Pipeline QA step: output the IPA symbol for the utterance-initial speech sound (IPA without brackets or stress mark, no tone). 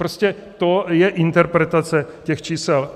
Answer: ɾ